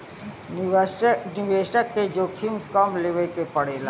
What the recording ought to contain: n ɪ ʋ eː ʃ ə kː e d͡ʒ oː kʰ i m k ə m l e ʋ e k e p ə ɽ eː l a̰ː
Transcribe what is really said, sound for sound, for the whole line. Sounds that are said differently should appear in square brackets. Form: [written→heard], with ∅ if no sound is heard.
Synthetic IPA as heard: n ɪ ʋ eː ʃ ə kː e d͡ʒ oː kʰ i m k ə m l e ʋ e k e p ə ɽ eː l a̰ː